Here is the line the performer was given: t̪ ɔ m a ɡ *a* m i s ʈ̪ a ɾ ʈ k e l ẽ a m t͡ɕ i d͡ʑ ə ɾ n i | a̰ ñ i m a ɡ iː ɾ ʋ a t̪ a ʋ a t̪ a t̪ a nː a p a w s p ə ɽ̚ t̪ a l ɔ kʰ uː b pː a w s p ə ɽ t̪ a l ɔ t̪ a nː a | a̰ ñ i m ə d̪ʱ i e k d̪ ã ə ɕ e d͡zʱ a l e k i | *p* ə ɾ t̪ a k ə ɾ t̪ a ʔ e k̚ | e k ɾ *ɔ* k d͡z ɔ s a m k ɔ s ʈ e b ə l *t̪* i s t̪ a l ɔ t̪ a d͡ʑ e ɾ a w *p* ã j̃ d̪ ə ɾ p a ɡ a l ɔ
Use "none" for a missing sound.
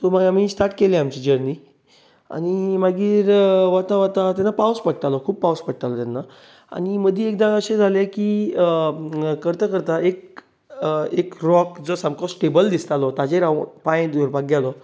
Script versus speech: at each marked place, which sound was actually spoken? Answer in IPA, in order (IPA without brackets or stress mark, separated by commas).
a, k, ɔ, d̪, p